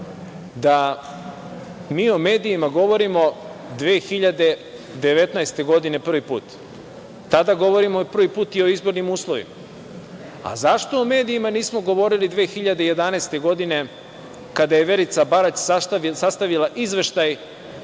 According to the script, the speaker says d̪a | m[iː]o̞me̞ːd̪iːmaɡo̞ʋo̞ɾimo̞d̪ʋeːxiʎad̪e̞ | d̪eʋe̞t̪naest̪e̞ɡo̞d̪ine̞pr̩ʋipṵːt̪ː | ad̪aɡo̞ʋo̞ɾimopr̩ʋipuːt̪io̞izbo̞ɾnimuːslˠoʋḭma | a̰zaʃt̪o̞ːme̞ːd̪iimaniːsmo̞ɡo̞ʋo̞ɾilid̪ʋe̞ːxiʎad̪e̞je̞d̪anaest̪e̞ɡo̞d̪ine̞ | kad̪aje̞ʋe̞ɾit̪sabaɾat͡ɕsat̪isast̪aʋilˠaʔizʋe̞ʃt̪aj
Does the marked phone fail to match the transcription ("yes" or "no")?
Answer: no